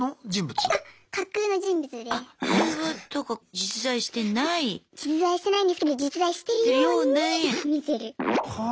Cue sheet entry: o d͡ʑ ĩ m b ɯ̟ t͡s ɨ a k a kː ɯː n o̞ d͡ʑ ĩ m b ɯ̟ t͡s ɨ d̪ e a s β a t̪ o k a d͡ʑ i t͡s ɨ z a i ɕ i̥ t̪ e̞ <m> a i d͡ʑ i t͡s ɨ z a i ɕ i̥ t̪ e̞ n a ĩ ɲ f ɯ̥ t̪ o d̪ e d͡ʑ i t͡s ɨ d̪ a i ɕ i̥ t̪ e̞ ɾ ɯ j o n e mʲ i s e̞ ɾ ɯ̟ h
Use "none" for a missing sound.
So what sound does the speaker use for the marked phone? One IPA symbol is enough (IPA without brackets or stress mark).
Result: n